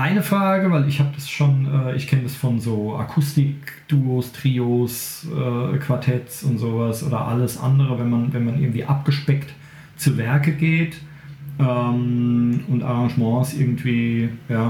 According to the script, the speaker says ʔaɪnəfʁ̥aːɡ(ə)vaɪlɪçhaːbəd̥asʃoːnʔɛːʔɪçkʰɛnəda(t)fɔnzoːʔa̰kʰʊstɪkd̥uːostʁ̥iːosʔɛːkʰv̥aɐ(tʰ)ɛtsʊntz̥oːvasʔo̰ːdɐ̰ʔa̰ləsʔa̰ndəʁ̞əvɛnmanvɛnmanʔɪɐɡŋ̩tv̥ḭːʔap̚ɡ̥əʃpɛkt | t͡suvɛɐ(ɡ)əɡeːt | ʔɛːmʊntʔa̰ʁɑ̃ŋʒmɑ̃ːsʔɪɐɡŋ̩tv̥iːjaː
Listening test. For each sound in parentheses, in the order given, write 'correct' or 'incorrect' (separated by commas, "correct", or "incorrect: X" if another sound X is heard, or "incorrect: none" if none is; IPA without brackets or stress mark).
correct, incorrect: s, correct, incorrect: k